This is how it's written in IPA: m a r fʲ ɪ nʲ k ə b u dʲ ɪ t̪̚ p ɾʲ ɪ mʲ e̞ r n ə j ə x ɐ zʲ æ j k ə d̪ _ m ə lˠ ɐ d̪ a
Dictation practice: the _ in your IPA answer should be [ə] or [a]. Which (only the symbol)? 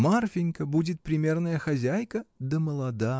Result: ə